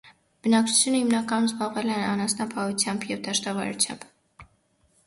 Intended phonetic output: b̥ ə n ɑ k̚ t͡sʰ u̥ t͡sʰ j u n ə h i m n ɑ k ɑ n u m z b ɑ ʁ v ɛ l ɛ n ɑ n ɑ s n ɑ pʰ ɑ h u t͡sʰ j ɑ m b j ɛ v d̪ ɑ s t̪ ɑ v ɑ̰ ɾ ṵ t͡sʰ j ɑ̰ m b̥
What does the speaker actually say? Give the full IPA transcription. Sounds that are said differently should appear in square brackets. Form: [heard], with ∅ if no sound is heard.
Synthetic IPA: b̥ ə n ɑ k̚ t͡sʰ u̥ t͡sʰ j u n ə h i m n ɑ k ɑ n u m z b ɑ ʁ v ɛ l ɛ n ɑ n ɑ s n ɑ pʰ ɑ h u t͡sʰ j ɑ m b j ɛ v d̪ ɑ [ʃ] t̪ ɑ v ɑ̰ ɾ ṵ t͡sʰ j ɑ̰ m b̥